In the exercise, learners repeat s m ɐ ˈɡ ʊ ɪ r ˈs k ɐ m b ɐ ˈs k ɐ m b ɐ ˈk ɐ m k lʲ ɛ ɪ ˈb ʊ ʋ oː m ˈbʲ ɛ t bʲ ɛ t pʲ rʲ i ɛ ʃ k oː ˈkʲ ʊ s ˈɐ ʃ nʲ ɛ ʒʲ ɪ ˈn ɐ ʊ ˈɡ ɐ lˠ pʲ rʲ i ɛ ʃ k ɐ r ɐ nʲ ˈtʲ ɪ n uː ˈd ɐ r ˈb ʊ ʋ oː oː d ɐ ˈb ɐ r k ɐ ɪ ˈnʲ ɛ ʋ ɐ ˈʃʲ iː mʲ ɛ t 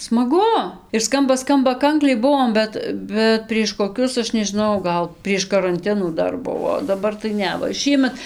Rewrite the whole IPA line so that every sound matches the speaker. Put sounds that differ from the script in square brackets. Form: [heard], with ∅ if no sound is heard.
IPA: s m ɐ ˈɡ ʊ ɪ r ˈs k ɐ m b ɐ ˈs k ɐ m b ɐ ˈk ɐ [ŋ] k lʲ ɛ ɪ ˈb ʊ ʋ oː m ˈbʲ ɛ t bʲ ɛ t pʲ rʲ i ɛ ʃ k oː ˈkʲ ʊ s ˈɐ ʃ nʲ ɛ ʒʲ ɪ ˈn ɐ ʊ ˈɡ ɐ lˠ pʲ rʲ i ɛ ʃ k ɐ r ɐ nʲ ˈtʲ ɪ n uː ˈd ɐ r ˈb ʊ ʋ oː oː d ɐ ˈb ɐ r [t] ɐ ɪ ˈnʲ ɛ ʋ ɐ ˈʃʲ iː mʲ ɛ t